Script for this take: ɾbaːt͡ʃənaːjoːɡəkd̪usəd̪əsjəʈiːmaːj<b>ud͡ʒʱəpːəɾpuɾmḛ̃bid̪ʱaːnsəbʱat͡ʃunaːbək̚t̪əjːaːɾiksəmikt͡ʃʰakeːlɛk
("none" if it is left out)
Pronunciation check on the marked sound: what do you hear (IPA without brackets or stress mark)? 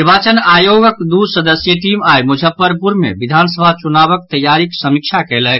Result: m